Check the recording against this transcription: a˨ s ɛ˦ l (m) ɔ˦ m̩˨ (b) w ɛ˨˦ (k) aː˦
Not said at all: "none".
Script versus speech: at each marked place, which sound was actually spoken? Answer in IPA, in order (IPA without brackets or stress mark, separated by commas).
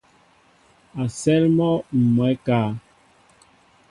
m, m, k